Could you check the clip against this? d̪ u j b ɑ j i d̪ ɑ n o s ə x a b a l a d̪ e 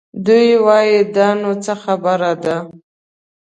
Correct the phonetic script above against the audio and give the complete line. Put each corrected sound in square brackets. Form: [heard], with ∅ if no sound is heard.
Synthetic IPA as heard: d̪ u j [w] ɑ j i d̪ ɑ n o [t͡s] ə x a b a [ɾ] a d̪ [a]